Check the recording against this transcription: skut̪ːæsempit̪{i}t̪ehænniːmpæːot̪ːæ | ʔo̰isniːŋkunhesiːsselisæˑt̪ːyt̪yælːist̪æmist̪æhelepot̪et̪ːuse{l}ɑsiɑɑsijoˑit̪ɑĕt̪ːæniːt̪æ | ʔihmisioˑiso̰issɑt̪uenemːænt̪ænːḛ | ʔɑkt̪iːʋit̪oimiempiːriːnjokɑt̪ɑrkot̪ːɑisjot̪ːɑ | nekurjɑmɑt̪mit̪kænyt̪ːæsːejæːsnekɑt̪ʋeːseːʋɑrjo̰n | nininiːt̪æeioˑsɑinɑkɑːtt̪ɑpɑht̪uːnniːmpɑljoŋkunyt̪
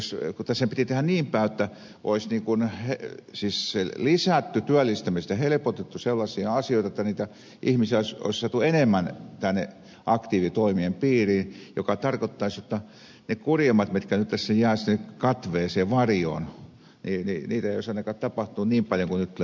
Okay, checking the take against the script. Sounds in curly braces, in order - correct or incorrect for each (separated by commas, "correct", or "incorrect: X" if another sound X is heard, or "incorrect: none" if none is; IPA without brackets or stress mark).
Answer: correct, incorrect: lː